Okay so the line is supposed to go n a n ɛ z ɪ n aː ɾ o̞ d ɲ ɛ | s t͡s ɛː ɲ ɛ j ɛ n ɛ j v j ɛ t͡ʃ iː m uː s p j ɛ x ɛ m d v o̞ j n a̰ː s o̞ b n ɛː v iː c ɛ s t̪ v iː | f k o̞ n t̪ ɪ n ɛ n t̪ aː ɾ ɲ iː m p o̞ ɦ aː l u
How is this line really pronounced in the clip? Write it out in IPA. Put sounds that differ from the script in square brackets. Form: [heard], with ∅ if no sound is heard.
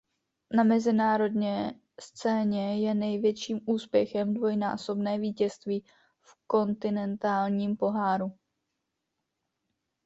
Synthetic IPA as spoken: n a [m] ɛ z ɪ n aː ɾ o̞ d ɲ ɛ | s t͡s ɛː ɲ ɛ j ɛ n ɛ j v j ɛ t͡ʃ iː m uː s p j ɛ x ɛ m d v o̞ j n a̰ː s o̞ b n ɛː v iː c ɛ s t̪ v iː | f k o̞ n t̪ ɪ n ɛ n t̪ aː [l] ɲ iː m p o̞ ɦ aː [ɾ] u